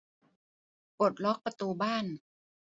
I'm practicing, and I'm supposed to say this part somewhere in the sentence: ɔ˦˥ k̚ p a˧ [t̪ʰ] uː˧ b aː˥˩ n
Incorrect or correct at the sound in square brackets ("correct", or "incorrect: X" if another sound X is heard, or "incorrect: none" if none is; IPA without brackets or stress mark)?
incorrect: t̪